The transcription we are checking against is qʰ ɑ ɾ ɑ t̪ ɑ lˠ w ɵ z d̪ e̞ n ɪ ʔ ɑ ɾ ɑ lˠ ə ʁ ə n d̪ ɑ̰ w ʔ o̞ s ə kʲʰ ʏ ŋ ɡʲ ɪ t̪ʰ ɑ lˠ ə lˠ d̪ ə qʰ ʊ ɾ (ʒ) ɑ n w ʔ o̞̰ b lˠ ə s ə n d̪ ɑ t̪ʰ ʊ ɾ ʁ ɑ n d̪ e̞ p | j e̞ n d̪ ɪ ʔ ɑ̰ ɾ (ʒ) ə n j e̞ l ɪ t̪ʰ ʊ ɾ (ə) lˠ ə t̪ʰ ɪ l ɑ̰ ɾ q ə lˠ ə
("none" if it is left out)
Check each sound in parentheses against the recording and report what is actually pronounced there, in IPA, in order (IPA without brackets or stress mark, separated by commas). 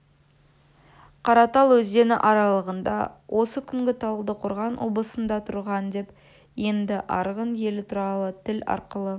ʁ, ʁ, ɑ